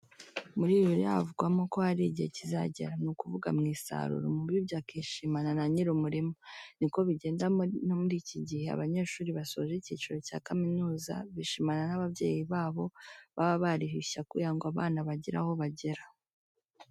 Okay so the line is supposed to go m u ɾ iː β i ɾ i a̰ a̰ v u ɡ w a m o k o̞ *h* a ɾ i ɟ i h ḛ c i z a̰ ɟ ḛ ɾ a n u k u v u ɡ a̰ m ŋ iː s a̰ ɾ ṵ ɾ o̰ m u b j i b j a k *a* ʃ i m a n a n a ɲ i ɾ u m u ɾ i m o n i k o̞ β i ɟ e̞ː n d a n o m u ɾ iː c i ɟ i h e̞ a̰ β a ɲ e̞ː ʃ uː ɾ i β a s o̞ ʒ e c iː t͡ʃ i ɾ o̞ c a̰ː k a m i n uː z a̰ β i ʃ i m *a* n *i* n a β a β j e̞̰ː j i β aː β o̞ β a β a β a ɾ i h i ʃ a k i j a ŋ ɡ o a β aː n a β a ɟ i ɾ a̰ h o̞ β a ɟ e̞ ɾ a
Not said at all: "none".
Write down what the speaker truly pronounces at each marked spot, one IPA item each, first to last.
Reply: h, i, a, a

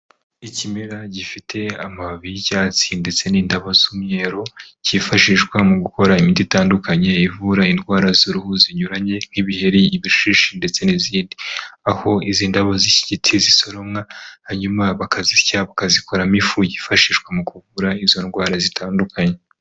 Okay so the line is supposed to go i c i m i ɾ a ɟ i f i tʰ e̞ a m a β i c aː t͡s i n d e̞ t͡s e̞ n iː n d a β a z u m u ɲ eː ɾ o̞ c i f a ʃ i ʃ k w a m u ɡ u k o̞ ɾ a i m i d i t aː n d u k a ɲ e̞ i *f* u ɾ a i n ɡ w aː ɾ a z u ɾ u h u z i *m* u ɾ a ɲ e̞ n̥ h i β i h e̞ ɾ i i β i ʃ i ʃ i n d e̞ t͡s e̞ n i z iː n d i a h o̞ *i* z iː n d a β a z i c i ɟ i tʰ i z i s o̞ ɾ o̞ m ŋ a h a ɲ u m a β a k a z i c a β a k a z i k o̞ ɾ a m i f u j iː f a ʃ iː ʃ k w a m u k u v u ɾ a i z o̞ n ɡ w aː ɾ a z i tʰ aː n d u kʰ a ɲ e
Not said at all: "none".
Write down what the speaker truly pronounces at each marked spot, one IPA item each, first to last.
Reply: v, ɲ, i

